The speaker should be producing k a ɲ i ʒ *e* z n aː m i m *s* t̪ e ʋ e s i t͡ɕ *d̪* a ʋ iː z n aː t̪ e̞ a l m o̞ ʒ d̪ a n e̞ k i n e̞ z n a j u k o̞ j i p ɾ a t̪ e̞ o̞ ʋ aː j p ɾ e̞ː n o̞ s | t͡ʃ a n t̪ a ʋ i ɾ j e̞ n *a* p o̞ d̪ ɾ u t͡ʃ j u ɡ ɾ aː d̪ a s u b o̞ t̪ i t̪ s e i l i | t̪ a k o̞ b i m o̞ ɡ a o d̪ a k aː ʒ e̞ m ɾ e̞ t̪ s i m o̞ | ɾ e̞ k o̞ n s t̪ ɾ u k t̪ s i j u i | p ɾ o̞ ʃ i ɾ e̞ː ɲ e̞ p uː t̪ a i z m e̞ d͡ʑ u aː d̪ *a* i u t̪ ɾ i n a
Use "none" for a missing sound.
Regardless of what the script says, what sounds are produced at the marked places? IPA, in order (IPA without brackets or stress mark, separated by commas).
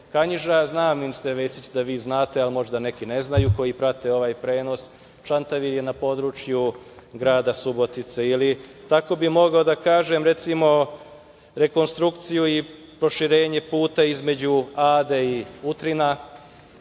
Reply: a, s, d̪, a, e